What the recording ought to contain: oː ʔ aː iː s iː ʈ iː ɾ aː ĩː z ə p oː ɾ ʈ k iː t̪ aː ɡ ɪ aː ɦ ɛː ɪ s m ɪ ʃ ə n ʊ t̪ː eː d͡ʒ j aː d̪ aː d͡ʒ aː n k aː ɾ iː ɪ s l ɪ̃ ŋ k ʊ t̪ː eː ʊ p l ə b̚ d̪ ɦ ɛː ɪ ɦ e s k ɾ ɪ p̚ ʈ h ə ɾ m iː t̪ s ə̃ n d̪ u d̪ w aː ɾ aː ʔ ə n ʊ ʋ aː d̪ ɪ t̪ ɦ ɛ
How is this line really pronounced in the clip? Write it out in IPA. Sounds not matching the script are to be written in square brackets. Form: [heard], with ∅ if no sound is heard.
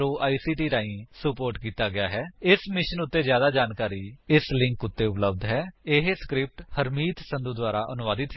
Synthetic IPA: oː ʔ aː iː s iː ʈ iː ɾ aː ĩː [s] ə p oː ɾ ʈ k iː t̪ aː ɡ ɪ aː ɦ ɛː ɪ s m ɪ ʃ ə n ʊ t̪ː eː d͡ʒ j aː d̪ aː d͡ʒ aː n k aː ɾ iː ɪ s l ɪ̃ ŋ k ʊ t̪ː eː ʊ p l ə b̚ d̪ ɦ ɛː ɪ ɦ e s k ɾ ɪ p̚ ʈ h ə ɾ m iː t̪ s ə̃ n d̪ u d̪ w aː ɾ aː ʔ ə n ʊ ʋ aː d̪ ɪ t̪ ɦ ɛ